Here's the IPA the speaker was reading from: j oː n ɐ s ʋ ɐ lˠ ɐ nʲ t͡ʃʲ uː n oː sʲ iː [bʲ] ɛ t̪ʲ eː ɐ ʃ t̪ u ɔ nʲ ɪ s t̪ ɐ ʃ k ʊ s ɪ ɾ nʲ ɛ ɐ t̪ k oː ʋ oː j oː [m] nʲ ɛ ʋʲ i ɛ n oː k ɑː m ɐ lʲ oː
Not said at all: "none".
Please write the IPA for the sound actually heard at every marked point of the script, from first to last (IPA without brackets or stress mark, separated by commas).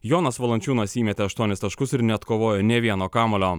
mʲ, none